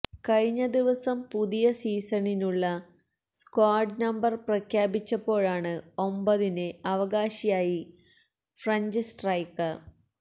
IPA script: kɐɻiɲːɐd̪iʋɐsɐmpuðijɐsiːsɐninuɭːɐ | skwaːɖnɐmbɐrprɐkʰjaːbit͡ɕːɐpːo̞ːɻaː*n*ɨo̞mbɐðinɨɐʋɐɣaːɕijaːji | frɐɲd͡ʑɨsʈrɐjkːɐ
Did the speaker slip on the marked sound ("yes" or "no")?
yes